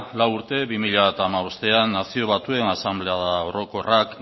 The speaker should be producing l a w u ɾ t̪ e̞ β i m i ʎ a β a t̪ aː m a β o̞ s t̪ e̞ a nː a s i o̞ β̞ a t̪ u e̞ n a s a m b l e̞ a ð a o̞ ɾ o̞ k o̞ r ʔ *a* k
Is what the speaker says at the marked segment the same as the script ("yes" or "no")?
yes